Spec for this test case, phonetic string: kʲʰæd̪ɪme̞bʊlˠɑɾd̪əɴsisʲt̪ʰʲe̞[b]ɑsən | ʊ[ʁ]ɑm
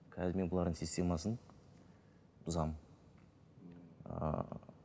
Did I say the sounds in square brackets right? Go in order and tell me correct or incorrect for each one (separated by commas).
incorrect, incorrect